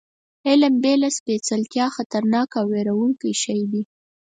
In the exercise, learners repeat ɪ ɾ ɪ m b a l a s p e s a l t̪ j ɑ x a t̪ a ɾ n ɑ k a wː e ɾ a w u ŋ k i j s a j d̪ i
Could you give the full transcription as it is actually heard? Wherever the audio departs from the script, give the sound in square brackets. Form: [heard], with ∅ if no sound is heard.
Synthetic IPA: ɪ [l] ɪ m b [e] l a s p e [t͡s] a l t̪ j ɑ x a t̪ a ɾ n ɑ k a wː e ɾ a w u ŋ k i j [ʃ] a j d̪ i